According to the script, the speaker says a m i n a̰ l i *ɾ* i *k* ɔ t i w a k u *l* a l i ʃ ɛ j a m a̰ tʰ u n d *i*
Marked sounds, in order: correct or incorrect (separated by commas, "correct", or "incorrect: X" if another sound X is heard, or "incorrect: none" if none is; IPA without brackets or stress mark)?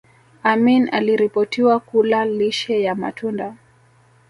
correct, incorrect: p, correct, incorrect: a